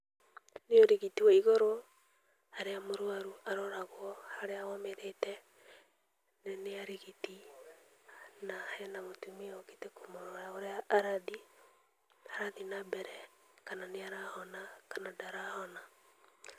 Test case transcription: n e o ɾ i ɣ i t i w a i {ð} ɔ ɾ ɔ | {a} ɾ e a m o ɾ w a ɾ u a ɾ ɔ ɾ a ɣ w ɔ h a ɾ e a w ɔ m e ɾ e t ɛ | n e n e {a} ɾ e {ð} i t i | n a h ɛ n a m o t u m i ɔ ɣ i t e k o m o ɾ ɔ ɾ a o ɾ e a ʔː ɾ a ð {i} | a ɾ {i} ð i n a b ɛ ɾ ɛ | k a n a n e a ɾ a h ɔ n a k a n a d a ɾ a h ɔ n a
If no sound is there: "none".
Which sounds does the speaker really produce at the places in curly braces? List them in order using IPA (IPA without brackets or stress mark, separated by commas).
ɣ, a, a, ɣ, i, a